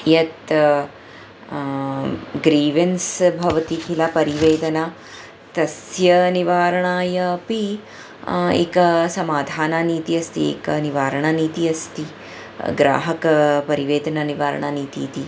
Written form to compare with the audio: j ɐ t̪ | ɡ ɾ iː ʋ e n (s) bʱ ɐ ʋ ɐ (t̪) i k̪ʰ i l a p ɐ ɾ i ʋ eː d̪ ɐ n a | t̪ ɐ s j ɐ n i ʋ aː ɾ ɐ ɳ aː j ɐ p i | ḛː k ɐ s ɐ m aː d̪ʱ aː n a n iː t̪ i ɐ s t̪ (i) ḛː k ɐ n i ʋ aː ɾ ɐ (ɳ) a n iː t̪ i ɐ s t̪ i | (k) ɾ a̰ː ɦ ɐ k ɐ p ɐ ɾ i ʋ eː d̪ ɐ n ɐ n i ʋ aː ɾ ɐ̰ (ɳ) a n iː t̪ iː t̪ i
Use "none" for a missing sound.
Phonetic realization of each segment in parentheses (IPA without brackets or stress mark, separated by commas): s, t̪, i, ɳ, ɡ, ɳ